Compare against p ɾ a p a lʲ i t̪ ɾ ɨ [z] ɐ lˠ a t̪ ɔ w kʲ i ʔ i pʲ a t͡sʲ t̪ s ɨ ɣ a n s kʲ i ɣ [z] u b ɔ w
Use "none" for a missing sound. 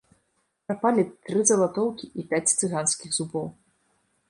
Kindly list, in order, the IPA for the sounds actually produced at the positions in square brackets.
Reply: z, z

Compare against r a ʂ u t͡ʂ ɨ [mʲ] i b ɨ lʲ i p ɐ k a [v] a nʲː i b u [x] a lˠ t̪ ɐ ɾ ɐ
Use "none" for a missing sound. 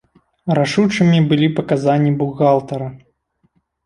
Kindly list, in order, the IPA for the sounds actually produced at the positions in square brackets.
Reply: mʲ, z, ɣ

